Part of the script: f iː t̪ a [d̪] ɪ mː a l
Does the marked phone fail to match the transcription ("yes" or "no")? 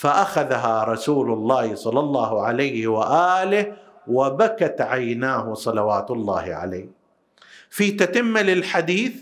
yes